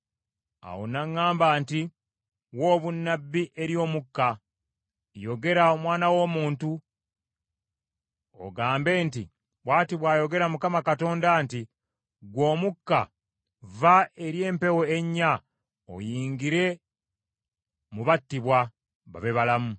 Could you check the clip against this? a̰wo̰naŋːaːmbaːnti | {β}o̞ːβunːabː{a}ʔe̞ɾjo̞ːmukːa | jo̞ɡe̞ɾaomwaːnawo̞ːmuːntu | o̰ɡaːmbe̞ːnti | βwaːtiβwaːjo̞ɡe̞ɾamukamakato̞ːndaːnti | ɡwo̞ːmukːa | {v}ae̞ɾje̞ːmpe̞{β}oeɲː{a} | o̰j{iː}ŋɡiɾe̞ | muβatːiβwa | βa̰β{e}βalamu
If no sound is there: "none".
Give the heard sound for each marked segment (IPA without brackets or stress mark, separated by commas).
w, i, v, w, a, iː, e